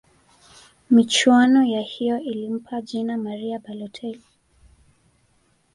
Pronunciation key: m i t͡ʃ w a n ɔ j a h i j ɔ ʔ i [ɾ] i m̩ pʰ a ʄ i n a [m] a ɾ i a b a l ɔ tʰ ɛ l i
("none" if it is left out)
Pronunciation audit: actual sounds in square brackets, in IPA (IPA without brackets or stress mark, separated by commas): l, m